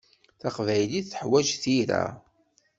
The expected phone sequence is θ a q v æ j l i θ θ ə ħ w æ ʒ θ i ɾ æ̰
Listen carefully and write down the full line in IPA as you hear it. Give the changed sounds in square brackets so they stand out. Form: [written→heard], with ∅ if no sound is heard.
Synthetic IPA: θ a q v æ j l i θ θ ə ħ w æ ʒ θ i ɾ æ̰